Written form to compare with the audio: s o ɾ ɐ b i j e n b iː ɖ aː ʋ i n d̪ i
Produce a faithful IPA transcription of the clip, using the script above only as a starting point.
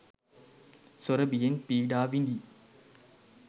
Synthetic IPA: s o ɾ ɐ b i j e n p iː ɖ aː ʋ i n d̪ i